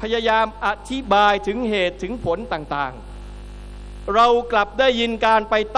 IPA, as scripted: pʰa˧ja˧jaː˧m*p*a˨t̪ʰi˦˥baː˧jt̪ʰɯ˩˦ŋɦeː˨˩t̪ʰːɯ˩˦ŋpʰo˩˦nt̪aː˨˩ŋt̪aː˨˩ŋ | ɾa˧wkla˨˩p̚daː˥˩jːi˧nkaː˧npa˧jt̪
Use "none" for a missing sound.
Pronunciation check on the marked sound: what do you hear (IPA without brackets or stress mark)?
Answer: ʔ